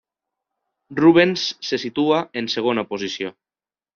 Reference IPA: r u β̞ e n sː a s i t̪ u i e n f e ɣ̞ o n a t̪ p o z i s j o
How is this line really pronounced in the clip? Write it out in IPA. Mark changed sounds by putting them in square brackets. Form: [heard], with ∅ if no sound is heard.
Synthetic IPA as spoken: r u β̞ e n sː [e] s i t̪ u [a] e n [s] e ɣ̞ o n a [∅] p o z i s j o